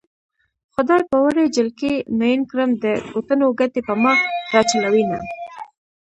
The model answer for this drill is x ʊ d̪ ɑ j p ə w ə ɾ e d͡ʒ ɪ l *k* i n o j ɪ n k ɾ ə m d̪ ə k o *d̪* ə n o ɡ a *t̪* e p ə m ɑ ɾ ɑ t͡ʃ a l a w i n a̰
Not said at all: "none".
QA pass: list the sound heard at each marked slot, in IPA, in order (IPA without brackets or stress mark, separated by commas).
k, t̪, t̪